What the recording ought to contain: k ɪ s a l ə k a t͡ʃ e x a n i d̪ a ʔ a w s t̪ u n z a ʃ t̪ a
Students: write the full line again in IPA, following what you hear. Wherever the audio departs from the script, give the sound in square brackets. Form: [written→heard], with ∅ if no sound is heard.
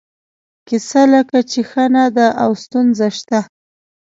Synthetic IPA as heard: k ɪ s a l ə k a t͡ʃ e x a n [i→a] d̪ a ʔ a w s t̪ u n z a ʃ t̪ a